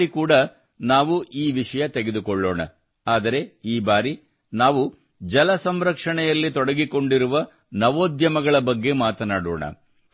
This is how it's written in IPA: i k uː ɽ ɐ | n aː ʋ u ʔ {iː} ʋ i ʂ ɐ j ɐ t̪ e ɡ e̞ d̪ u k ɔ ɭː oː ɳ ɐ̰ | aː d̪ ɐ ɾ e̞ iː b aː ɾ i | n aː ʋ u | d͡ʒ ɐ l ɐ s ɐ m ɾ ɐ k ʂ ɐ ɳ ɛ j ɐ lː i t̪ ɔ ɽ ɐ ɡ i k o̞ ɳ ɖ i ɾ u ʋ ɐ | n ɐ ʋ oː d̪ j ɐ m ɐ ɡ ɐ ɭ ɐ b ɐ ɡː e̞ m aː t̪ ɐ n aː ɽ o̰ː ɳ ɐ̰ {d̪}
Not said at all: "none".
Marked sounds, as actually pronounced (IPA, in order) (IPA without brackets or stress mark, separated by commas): iː, none